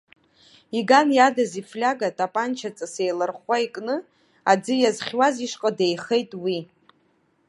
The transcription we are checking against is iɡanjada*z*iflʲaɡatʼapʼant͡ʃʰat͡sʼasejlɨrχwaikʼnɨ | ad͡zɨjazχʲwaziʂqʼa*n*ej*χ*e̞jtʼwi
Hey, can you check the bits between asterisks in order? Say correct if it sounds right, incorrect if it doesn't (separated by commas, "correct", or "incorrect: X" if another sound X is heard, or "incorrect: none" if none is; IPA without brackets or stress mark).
correct, incorrect: d, correct